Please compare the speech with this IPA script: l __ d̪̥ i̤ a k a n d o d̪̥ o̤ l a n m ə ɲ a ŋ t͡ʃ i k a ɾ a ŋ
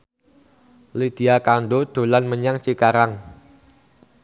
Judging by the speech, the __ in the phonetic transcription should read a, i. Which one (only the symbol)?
i